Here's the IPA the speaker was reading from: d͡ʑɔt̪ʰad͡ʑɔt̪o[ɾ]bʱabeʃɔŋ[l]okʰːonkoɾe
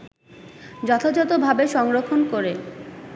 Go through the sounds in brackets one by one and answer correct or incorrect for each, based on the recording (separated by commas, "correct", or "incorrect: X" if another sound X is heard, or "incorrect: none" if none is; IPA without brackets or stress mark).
incorrect: none, incorrect: ɾ